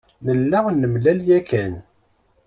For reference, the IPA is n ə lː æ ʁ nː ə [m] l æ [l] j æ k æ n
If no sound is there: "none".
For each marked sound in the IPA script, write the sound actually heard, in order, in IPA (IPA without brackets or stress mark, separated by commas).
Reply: m, l